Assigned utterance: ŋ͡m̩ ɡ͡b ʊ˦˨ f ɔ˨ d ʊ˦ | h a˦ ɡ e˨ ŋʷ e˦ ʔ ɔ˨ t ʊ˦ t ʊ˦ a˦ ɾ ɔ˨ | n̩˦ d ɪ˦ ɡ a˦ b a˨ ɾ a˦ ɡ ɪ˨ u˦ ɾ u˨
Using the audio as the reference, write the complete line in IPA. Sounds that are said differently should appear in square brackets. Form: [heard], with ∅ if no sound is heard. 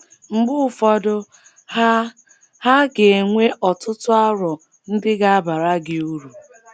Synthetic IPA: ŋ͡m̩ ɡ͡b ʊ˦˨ f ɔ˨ d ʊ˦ | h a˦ ɡ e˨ ŋʷ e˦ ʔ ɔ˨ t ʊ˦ t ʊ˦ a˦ ɾ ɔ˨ | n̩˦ d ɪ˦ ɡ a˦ b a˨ ɾ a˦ ɡ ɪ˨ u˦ ɾ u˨

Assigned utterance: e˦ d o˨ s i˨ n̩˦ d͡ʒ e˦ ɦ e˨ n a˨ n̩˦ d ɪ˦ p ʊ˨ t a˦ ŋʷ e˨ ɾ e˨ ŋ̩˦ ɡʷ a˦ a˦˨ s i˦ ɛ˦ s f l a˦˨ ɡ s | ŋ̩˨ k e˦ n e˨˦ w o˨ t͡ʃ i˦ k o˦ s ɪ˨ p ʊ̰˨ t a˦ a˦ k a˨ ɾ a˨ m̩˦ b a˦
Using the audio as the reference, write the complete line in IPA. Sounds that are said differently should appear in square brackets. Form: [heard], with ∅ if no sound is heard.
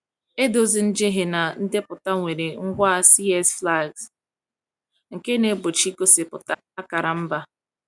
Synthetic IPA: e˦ d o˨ [z] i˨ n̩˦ d͡ʒ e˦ ɦ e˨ n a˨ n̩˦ d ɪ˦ p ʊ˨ t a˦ ŋʷ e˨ ɾ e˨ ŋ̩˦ ɡʷ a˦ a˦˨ s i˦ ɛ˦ s f l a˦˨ ɡ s | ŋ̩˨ k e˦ n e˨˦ [b] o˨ t͡ʃ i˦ k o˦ s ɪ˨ p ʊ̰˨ t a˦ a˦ k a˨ ɾ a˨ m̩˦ b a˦

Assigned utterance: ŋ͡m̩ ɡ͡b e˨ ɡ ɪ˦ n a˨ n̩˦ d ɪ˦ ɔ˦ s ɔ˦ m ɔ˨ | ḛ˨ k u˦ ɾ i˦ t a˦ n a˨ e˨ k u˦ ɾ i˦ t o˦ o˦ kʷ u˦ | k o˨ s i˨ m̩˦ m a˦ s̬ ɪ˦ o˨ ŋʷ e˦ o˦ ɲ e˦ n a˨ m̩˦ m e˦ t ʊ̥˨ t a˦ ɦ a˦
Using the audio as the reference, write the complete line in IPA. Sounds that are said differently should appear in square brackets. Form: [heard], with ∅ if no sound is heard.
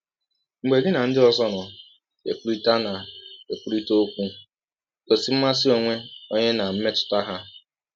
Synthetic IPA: ŋ͡m̩ ɡ͡b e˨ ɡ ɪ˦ n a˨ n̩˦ d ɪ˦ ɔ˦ [z] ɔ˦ [n] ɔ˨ | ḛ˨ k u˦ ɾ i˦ t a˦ n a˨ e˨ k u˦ ɾ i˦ t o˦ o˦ kʷ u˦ | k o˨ s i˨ m̩˦ m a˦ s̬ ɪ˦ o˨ ŋʷ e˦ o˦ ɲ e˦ n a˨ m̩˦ m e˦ t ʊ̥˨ t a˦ ɦ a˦

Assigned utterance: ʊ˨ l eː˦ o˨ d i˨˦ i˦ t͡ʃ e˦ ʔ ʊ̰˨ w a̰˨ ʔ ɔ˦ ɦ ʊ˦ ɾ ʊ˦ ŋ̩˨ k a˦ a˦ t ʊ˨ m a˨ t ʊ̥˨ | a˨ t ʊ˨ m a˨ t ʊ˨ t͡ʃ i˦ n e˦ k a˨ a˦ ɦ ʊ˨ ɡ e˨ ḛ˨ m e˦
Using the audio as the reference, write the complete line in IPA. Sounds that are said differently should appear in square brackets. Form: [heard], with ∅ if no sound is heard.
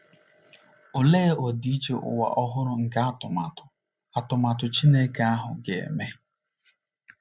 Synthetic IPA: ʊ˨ l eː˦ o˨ d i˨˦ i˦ t͡ʃ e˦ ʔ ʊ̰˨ w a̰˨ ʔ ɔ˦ ɦ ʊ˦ ɾ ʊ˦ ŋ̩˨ k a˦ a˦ t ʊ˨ m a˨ t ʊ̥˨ | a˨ t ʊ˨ m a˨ t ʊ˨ t͡ʃ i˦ n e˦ k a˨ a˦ ɦ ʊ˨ ɡ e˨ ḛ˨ m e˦

